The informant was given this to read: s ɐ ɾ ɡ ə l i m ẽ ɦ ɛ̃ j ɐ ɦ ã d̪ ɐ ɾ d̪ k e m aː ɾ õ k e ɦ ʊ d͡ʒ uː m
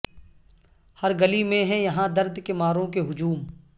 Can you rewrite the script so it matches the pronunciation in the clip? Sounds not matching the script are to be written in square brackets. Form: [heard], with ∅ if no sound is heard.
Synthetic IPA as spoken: [h] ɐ ɾ ɡ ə l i m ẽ ɦ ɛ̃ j ɐ ɦ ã d̪ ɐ ɾ d̪ k e m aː ɾ õ k e ɦ ʊ d͡ʒ uː m